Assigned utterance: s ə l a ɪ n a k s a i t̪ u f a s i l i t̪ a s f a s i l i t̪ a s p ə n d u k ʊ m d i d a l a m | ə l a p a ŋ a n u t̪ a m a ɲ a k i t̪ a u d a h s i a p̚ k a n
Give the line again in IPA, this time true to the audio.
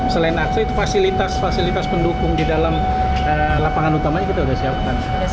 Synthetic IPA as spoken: s ə l a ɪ n a k s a i t̪ u f a s i l i t̪ a s f a s i l i t̪ a s p ə n d u k ʊ ŋ d i d a l a m | ə l a p a ŋ a n u t̪ a m a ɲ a k i t̪ a u d a h s i a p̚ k a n